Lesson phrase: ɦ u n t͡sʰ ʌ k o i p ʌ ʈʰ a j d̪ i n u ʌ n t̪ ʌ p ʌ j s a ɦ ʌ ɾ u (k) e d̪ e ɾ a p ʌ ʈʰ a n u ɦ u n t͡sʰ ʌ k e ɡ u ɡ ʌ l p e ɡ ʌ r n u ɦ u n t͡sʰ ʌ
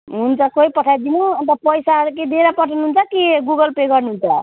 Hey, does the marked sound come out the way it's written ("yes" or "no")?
yes